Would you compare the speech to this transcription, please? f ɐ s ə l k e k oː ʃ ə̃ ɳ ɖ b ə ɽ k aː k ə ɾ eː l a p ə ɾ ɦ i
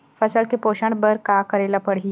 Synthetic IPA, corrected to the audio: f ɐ s ə l k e p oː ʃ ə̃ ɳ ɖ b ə ɾ k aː k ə ɾ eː l a p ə ɽ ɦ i